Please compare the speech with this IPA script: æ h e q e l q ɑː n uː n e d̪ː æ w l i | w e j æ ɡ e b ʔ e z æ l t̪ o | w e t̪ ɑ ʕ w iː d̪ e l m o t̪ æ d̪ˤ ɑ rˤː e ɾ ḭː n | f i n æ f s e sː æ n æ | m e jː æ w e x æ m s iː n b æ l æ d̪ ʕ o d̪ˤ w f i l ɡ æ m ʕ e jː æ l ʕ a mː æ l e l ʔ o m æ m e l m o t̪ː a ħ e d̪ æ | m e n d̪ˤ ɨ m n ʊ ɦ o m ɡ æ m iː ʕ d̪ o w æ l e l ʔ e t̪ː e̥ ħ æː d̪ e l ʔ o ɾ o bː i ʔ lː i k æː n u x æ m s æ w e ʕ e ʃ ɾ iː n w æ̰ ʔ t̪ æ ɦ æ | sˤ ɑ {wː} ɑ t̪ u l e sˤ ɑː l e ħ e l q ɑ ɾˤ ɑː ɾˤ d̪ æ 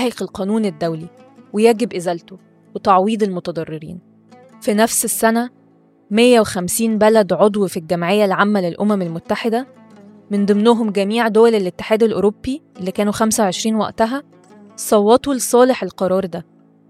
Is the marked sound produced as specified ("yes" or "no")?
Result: yes